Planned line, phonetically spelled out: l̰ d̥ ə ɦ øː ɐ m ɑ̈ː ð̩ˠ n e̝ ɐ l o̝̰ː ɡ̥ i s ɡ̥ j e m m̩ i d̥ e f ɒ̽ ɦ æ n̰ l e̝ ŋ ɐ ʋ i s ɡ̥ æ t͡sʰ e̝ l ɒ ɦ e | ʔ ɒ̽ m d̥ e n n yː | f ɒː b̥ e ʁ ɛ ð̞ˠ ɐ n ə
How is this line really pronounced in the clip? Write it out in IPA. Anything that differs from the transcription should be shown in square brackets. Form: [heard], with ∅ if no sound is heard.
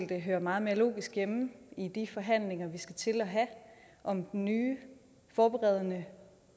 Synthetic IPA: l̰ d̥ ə ɦ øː ɐ m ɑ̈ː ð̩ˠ [m] e̝ ɐ l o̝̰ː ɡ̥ i s ɡ̥ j e m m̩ i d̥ [i] f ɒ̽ ɦ æ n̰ l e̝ ŋ ɐ ʋ i s ɡ̥ æ t͡sʰ e̝ l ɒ ɦ [æ] | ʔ ɒ̽ m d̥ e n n yː | f ɒː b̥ e ʁ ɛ ð̞ˠ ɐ n ə

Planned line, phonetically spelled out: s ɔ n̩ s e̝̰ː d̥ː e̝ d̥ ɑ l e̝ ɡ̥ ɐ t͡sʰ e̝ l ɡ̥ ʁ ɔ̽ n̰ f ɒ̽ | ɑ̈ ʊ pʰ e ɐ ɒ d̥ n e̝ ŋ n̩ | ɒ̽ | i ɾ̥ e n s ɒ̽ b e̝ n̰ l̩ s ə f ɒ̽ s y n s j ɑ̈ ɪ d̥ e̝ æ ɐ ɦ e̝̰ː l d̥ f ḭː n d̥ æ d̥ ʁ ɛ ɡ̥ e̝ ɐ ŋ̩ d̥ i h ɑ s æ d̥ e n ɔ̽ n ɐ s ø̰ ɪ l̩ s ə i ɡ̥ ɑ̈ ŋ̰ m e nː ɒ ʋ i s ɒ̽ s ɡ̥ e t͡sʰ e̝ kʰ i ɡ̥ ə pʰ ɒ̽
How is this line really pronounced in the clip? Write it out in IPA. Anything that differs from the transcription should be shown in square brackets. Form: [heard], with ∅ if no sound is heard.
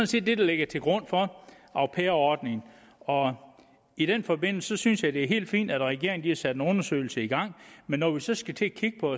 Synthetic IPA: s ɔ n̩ s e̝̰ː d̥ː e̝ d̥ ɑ l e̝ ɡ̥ ɐ t͡sʰ e̝ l ɡ̥ ʁ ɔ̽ n̰ f ɒ̽ | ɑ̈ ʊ pʰ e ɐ ɒ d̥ n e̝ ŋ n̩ | ɒ̽ | i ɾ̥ e n [f] ɒ̽ b e̝ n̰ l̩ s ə [s] ɒ̽ s y n s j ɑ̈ ɪ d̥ e̝ æ ɐ ɦ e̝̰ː l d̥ f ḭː n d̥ æ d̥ ʁ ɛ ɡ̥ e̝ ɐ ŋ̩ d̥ i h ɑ s æ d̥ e n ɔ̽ n ɐ s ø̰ ɪ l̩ s ə i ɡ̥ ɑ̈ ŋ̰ m e nː ɒ ʋ i s ɒ̽ s ɡ̥ [æ] t͡sʰ e̝ kʰ i ɡ̥ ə pʰ ɒ̽

